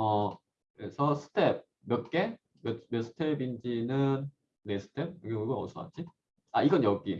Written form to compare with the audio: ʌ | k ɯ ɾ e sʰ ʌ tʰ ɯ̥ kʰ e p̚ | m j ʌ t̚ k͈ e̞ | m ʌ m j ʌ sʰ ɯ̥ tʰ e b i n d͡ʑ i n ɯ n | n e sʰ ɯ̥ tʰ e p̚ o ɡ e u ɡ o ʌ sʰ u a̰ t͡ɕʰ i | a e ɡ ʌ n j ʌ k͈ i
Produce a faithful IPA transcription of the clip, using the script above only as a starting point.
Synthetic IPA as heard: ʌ | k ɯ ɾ e sʰ ʌ sʰ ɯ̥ tʰ e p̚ | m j ʌ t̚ k͈ e̞ | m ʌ m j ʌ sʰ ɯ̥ tʰ e b i n d͡ʑ i n ɯ n | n e sʰ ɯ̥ tʰ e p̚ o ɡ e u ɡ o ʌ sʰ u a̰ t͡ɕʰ i | a i ɡ ʌ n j ʌ k͈ i

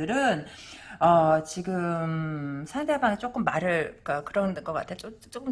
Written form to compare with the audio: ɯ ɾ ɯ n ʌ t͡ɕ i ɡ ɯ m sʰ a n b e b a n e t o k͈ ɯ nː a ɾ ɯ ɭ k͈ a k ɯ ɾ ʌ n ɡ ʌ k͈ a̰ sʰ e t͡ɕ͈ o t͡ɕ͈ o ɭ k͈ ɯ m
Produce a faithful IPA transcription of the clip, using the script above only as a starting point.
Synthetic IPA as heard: ɯ ɾ ɯ n ʌ t͡ɕ i ɡ ɯ m sʰ a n d e b a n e t͡ɕ͈ o k͈ ɯ mː a ɾ ɯ ɭ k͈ a k ɯ ɾ ʌ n ɡ ʌ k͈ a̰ tʰ e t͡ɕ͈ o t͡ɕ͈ o k͈ ɯ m

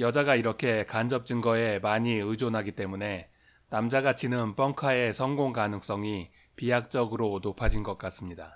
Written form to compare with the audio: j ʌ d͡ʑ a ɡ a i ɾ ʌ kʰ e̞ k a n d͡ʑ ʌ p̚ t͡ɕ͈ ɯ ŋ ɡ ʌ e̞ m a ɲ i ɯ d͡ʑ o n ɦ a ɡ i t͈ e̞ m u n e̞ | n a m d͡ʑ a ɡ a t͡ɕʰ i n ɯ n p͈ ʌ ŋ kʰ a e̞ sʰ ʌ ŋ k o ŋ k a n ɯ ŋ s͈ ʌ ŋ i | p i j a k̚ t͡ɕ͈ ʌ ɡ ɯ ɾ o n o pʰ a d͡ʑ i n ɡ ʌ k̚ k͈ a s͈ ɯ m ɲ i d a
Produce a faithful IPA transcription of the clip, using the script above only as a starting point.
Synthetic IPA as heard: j ʌ d͡ʑ a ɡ a i ɾ ʌ kʰ e̞ k a n d͡ʑ ʌ p̚ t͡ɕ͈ ɯ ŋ ɡ ʌ e̞ m a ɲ i ɯ d͡ʑ o n ɦ a ɡ i t͈ e̞ m u n e̞ | n a m d͡ʑ a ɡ a t͡ɕʰ i n ɯ n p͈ ʌ ŋ kʰ a e̞ sʰ ʌ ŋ ɡ o ŋ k a n ɯ ŋ s͈ ʌ ŋ i | p i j a k̚ t͡ɕ͈ ʌ ɡ ɯ ɾ o n o pʰ a d͡ʑ i n ɡ ʌ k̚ k͈ a s͈ ɯ m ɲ i d a

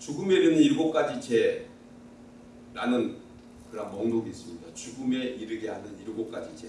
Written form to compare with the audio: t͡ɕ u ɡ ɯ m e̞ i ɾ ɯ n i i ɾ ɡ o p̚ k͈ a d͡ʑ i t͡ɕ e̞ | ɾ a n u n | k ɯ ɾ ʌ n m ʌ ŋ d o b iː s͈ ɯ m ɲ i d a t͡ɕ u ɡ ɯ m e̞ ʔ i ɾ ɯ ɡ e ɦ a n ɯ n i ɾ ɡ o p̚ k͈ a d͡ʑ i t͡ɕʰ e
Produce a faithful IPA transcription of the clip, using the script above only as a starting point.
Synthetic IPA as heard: t͡ɕ u ɡ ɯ m e̞ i ɾ ɯ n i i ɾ ɡ o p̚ k͈ a d͡ʑ i t͡ɕ e̞ | ɾ a n ɯ n | k ɯ ɾ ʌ n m ʌ ŋ d o ɡ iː s͈ ɯ m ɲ i d a t͡ɕ u ɡ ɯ m e̞ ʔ i ɾ ɯ ɡ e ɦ a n ɯ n i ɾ ɡ o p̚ k͈ a d͡ʑ i t͡ɕ e

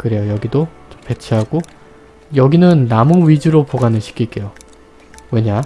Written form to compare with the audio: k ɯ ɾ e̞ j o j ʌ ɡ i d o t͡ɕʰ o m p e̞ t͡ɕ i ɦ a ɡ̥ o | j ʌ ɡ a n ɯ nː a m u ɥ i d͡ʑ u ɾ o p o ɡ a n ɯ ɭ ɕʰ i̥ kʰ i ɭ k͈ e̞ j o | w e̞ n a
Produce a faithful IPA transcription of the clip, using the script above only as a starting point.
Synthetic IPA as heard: k ɯ ɾ e̞ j o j ʌ ɡ i d o t͡ɕ o m p e̞ t͡ɕʰ i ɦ a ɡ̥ o | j ʌ ɡ i n ɯ nː a m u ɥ i d͡ʑ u ɾ o p o ɡ a n ɯ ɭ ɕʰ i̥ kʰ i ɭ k͈ e̞ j o | w e̞ ɲ a

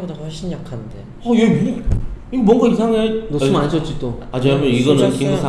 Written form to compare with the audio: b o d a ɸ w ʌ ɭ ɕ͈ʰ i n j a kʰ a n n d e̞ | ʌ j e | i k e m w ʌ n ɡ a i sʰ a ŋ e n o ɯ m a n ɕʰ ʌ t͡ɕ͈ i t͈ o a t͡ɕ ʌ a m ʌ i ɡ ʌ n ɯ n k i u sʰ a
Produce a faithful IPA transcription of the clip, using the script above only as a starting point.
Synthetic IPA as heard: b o d a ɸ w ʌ ɭ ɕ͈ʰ i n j a kʰ a n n d e̞ | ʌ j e | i ɡ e m w ʌ ŋ ɡ a i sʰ a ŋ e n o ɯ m a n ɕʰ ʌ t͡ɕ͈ i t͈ o a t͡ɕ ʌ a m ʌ i ɡ ʌ n ɯ n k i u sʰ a

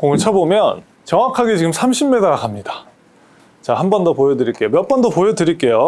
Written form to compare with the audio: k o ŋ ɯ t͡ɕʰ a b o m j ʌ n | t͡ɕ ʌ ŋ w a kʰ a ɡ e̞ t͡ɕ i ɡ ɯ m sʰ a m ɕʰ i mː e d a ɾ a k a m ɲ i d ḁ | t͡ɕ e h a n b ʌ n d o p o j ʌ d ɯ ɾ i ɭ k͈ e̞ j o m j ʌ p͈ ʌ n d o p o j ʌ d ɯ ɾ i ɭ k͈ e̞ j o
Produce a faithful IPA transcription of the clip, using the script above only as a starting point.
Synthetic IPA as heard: k o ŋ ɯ t͡ɕʰ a b o m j ʌ n | t͡ɕ ʌ ŋ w a kʰ a ɡ e̞ t͡ɕ i ɡ ɯ m sʰ a m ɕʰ i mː e d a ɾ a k a m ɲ i d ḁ | t͡ɕ a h a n b ʌ n d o p o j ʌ d ɯ ɾ i ɭ k͈ e̞ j o m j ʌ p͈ ʌ n d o p o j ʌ d ɯ ɾ i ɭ k͈ e̞ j o

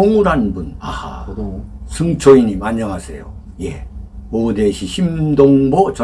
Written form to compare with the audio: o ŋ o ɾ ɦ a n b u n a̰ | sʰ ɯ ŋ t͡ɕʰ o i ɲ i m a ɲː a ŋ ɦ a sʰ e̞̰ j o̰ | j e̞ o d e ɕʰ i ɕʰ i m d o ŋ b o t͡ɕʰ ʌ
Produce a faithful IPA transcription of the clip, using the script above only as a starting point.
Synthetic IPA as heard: o ŋ u ɾ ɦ a n b u n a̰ | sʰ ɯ ŋ t͡ɕʰ o i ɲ i m a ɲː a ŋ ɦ a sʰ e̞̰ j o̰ | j e̞ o d e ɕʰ i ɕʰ i m d o ŋ b o t͡ɕ ʌ

